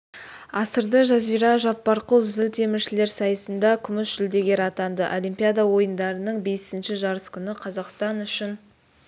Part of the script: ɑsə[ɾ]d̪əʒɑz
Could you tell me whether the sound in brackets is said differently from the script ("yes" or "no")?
no